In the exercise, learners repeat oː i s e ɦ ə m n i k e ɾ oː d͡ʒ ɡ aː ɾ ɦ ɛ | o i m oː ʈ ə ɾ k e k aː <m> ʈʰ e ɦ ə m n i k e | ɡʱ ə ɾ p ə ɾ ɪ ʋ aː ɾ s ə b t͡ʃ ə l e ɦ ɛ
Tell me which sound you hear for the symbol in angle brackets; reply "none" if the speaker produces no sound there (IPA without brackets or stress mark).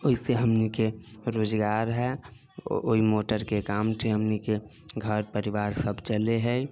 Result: m